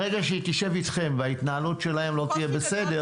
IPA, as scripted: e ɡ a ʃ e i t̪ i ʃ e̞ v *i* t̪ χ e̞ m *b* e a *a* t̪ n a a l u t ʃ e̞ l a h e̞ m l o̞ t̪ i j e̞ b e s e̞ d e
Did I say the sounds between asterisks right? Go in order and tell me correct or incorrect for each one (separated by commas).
correct, incorrect, incorrect